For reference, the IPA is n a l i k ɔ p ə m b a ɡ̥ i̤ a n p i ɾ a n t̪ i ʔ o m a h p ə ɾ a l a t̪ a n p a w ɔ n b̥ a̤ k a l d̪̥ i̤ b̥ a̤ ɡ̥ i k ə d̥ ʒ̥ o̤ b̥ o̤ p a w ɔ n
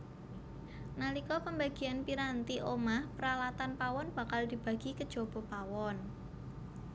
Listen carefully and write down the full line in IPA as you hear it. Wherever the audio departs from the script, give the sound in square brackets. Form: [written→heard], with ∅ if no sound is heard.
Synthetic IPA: n a l i k ɔ p ə m b a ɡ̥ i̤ a n p i ɾ a n t̪ i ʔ o m a h p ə ɾ a l a t̪ a n p a w ɔ n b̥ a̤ k a l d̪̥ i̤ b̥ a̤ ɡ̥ i k ə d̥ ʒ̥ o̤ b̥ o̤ p a w ɔ n

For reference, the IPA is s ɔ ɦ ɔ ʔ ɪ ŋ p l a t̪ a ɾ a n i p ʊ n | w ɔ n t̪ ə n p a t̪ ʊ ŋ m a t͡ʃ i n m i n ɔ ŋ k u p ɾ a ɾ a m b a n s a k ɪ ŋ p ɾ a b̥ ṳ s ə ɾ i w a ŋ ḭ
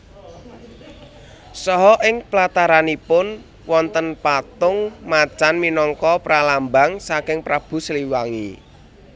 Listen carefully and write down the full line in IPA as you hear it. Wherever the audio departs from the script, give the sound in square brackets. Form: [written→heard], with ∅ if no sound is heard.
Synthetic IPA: s ɔ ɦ ɔ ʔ ɪ ŋ p l a t̪ a ɾ a n i p ʊ n | w ɔ n t̪ ə n p a t̪ ʊ ŋ m a t͡ʃ [i→a] n m i n ɔ ŋ k [u→ɔ] p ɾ a [ɾ→l] a m b a [n→ŋ] s a k ɪ ŋ p ɾ a b̥ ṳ s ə [ɾ→l] i w a ŋ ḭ

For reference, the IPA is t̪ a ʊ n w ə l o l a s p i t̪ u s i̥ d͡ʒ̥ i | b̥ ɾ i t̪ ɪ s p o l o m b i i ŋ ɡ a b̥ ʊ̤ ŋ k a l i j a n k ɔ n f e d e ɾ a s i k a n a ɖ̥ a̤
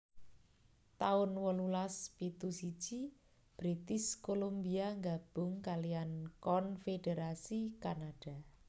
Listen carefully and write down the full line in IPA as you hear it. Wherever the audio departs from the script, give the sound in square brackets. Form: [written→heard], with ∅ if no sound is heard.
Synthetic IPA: t̪ a ʊ n w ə l [o→u] l a s p i t̪ u s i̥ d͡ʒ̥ i | b̥ ɾ i t̪ ɪ s [p→k] o l o m b i [i→a] ŋ ɡ a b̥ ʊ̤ ŋ k a l i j a n k ɔ n f e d e ɾ a s i k a n a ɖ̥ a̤

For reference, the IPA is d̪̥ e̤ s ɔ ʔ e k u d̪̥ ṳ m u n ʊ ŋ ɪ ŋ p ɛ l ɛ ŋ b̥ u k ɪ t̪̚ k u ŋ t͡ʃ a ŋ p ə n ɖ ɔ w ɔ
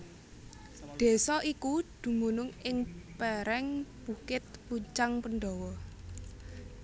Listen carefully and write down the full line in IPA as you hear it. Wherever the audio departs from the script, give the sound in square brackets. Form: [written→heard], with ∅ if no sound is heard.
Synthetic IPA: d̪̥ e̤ s ɔ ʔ [e→i] k u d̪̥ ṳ m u n ʊ ŋ ɪ ŋ p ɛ [l→ɾ] ɛ ŋ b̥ u k ɪ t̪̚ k u [ŋ→ɲ] t͡ʃ a ŋ p ə n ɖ ɔ w ɔ

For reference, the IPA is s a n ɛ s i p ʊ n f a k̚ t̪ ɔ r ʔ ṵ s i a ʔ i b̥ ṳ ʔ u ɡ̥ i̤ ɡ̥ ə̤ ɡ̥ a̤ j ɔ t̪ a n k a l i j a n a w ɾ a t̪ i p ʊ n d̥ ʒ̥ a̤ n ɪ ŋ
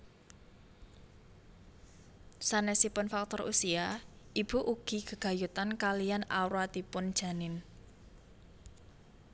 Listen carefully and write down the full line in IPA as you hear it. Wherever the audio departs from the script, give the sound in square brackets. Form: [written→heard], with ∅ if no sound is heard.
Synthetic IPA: s a n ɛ s i p ʊ n f a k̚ t̪ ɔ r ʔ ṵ s i a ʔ i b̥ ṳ ʔ u ɡ̥ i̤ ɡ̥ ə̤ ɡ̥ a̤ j [ɔ→u] t̪ a n k a l i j a n a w ɾ a t̪ i p ʊ n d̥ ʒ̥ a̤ n ɪ [ŋ→n]

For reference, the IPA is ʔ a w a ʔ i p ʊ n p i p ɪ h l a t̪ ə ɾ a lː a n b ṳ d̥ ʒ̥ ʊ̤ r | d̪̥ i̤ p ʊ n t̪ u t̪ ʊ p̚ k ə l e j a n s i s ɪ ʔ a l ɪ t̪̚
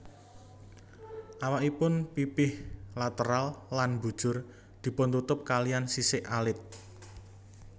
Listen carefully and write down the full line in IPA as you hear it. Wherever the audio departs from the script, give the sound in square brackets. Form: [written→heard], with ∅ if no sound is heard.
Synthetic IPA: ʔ a w a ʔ i p ʊ n p i p ɪ h l a t̪ ə ɾ a lː a n b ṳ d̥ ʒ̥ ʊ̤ r | d̪̥ i̤ p ʊ n t̪ u t̪ ʊ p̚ k [ə→a] l [e→i] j a n s i s ɪ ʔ a l ɪ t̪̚

